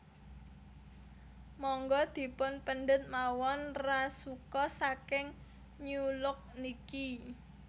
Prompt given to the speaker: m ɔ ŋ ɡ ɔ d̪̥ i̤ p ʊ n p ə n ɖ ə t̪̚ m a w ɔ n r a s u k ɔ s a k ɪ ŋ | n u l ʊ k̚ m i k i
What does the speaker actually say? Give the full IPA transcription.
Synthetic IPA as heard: m ɔ ŋ ɡ ɔ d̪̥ i̤ p ʊ n p ə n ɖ ə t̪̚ m a w ɔ n r a s u k ɔ s a k ɪ ŋ | ɲ u l ʊ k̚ n i k i